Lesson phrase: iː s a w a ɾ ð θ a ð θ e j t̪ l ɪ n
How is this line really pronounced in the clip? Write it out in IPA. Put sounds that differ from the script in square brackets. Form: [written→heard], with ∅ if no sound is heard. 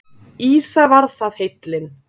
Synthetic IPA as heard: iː s a [w→v] a ɾ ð θ a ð [θ→h] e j t̪ l ɪ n